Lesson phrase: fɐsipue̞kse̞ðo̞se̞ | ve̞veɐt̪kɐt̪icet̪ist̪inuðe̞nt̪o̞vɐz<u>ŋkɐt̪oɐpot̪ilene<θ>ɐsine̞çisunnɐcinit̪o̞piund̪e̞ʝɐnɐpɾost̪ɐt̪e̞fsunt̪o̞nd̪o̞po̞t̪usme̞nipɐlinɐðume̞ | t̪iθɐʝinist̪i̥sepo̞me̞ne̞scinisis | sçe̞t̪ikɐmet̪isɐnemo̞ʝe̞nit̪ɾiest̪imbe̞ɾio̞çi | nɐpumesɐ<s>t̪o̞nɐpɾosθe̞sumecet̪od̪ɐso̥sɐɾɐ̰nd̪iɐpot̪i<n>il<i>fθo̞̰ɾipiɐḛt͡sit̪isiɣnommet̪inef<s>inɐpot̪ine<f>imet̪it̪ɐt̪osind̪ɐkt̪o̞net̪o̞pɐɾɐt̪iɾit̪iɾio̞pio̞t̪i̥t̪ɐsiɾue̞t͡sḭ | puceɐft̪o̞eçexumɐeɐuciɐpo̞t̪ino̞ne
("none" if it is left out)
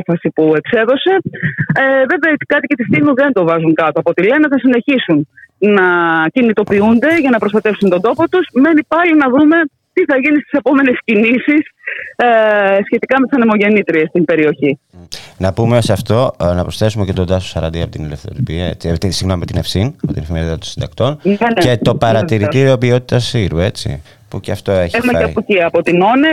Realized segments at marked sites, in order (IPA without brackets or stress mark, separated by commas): u, θ, f, n, e, s, f